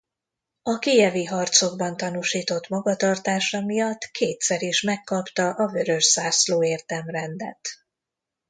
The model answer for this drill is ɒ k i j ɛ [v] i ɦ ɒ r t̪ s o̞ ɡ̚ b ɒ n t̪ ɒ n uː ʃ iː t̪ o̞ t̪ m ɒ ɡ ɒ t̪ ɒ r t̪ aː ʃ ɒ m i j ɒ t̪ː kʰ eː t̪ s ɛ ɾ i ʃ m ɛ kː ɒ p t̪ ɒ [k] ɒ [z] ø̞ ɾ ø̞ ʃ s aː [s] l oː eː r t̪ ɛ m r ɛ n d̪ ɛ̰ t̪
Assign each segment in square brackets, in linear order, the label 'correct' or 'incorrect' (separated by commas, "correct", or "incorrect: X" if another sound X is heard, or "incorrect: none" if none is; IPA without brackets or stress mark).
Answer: correct, incorrect: ʔ, incorrect: v, correct